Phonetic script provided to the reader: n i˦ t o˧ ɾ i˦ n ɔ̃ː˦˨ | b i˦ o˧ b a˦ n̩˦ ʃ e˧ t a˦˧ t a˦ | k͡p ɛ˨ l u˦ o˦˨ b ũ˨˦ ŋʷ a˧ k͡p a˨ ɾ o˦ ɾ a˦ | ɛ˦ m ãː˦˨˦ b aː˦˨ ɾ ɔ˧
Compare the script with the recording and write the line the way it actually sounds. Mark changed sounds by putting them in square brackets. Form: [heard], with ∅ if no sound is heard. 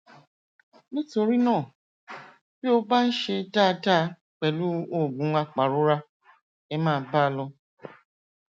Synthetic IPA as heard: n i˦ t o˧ ɾ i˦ n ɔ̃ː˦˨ | b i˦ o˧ b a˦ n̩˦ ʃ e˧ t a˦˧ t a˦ | k͡p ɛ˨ l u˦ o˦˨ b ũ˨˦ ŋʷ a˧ k͡p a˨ ɾ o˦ ɾ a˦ | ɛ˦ m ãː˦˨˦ b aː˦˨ [l] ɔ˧